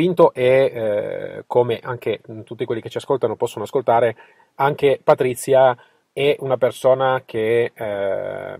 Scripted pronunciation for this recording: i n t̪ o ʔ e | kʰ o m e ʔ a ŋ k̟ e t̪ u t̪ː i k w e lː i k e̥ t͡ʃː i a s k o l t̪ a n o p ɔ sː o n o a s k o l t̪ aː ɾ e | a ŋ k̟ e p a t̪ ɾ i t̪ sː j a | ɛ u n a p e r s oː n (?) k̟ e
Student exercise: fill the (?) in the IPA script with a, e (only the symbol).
a